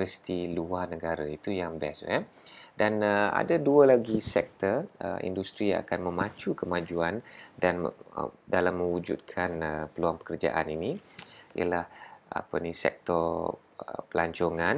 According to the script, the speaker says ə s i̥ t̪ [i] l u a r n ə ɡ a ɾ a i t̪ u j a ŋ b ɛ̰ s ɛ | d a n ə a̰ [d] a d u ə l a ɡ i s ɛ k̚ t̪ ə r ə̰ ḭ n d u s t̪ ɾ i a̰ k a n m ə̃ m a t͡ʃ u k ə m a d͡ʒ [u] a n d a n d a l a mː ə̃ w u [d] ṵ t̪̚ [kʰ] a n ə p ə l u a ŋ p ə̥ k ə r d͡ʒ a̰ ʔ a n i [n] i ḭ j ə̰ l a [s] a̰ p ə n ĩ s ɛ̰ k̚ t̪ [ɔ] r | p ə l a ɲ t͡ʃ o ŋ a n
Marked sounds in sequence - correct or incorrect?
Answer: correct, correct, correct, incorrect: d͡ʒ, correct, correct, incorrect: h, correct

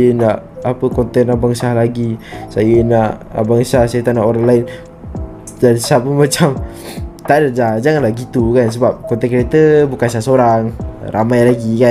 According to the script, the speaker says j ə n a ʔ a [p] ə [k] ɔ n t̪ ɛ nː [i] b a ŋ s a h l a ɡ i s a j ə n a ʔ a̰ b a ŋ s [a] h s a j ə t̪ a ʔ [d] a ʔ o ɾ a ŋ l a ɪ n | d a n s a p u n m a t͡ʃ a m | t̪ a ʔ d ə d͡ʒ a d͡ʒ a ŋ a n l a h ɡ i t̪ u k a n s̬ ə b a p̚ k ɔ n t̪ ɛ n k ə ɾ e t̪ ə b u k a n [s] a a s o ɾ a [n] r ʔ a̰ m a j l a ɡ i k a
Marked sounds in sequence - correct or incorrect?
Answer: correct, correct, incorrect: a, correct, incorrect: n, correct, incorrect: ŋ

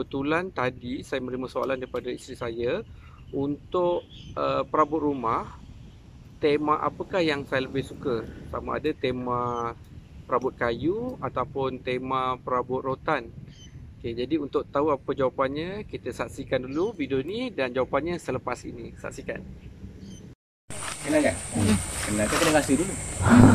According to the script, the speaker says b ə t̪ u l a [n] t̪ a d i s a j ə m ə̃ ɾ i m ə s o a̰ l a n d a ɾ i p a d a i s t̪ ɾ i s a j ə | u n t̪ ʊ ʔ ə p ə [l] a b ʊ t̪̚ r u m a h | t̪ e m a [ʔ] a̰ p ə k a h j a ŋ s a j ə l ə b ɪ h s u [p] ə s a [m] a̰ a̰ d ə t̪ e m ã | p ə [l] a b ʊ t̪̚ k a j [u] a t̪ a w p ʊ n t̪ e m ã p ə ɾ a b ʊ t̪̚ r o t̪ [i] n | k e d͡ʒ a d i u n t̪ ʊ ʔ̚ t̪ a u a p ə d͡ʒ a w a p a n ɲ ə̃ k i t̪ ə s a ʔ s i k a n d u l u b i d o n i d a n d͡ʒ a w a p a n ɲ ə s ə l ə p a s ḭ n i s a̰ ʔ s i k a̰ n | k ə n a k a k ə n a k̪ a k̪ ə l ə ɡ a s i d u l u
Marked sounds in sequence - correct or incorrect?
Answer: correct, incorrect: ɾ, correct, incorrect: k, correct, incorrect: ɾ, correct, incorrect: a

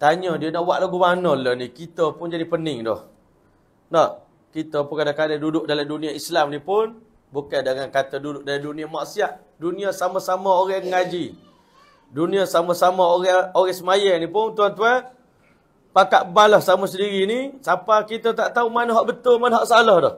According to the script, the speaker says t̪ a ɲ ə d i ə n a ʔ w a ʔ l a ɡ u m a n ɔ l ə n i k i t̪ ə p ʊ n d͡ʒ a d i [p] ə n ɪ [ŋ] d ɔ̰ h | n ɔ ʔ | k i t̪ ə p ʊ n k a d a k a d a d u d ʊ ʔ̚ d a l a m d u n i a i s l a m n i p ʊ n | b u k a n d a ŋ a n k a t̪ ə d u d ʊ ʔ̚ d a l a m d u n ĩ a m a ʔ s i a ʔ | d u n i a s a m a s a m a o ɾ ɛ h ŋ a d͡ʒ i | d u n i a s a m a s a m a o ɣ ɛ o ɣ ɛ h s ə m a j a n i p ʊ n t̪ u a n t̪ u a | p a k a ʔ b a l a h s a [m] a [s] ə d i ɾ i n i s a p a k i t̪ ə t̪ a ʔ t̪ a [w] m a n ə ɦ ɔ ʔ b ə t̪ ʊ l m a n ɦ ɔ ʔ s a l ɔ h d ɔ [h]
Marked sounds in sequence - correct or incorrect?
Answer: correct, correct, correct, correct, incorrect: u, correct

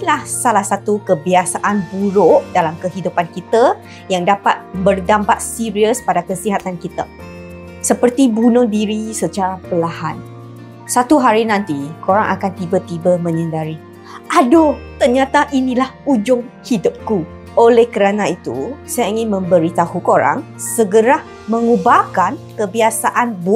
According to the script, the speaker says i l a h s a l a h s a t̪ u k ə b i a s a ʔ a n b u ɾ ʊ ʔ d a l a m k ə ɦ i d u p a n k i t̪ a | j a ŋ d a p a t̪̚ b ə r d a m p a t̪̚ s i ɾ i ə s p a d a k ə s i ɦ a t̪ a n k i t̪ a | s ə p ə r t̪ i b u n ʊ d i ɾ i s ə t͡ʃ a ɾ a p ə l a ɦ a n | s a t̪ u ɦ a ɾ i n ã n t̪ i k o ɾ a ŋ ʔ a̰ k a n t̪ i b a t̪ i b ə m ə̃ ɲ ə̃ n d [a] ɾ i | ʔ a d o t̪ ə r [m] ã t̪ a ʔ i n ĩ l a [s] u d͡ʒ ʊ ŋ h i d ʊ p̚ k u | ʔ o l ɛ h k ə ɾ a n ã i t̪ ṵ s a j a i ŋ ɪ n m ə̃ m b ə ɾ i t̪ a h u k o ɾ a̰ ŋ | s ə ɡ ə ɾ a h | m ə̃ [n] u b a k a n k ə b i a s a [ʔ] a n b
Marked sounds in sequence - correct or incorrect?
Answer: correct, incorrect: ɲ, incorrect: h, incorrect: ŋ, correct

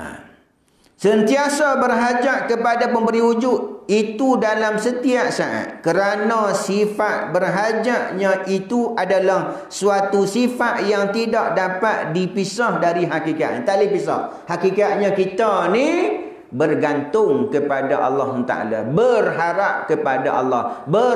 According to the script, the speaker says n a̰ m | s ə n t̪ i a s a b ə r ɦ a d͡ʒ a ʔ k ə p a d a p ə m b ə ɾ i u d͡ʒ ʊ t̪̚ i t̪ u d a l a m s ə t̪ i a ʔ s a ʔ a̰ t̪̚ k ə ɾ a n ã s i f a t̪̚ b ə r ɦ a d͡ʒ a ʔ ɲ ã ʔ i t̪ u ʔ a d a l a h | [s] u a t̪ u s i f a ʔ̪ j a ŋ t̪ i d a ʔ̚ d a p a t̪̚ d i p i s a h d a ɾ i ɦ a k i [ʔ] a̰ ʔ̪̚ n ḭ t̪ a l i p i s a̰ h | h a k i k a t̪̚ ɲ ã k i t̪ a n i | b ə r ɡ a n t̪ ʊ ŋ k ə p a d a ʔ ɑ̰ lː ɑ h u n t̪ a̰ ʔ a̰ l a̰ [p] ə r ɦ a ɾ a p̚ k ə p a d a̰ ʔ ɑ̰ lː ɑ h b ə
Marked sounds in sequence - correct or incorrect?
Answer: correct, incorrect: k, incorrect: b

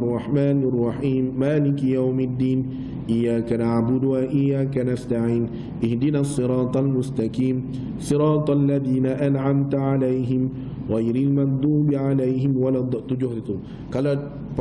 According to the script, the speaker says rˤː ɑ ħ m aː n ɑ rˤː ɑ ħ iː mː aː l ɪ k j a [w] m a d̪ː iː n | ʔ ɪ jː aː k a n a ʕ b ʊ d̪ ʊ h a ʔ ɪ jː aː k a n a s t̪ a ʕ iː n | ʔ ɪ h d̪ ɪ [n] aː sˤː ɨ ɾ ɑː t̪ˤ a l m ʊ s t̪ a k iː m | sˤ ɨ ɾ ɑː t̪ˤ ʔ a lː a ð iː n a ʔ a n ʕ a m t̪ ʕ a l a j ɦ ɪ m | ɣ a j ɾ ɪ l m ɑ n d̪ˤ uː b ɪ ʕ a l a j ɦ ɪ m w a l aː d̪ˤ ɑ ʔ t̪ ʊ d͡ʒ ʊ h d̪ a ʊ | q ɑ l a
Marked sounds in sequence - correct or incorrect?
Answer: correct, correct

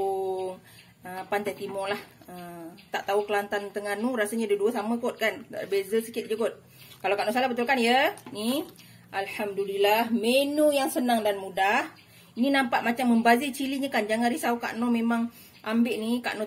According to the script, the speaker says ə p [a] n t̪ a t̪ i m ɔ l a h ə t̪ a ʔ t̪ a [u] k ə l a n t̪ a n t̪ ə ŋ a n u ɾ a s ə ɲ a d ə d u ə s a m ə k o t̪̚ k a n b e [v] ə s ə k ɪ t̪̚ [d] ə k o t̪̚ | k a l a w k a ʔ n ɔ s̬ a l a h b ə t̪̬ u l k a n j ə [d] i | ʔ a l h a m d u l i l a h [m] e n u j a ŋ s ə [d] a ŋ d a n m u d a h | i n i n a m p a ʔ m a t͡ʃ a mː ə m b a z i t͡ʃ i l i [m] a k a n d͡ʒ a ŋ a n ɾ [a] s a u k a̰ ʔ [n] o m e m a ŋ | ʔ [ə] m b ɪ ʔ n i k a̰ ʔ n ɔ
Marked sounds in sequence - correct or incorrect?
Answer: correct, correct, incorrect: z, incorrect: d͡ʒ, incorrect: n, correct, incorrect: n, incorrect: ɲ, incorrect: i, correct, incorrect: a

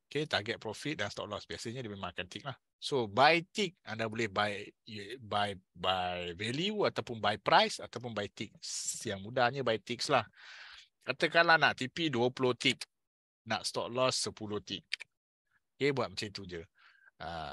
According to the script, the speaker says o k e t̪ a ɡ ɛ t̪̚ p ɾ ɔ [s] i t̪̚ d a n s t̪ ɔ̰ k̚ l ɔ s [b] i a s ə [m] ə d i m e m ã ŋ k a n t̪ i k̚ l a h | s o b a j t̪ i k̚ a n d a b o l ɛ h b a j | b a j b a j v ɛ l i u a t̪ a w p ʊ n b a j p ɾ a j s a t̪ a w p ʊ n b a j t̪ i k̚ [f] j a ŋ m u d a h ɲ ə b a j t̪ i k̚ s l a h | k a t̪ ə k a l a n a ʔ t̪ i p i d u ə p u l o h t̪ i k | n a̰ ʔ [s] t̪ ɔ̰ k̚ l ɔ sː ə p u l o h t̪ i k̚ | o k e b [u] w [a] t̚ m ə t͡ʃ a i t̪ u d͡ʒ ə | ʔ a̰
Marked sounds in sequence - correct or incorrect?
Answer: incorrect: f, correct, incorrect: ɲ, incorrect: s, correct, correct, correct

